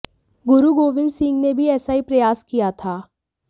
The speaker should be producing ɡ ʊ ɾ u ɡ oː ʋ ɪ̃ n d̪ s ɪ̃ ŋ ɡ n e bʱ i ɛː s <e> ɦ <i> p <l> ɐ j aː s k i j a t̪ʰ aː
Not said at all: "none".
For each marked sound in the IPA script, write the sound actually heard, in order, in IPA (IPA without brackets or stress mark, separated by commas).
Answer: a, i, ɾ